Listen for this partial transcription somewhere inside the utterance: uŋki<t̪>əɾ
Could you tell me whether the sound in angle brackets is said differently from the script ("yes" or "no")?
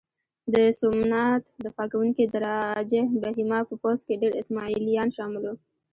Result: yes